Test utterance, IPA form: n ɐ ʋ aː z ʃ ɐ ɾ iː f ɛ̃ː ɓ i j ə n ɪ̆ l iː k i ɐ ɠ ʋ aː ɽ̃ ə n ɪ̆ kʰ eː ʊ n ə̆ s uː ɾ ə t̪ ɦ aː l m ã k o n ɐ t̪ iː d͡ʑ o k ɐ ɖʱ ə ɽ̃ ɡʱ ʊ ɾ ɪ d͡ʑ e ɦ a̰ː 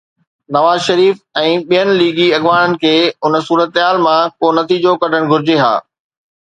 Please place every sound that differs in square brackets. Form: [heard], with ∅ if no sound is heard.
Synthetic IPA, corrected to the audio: n ɐ ʋ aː z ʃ ɐ ɾ iː f ɛ̃ː ɓ i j ə n ɪ̆ l iː [ɡ] i ɐ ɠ ʋ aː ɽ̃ ə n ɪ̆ kʰ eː ʊ n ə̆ s uː ɾ ə t̪ ɦ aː l m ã k o n ɐ t̪ iː d͡ʑ o k ɐ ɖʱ ə ɽ̃ ɡʱ ʊ ɾ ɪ d͡ʑ e ɦ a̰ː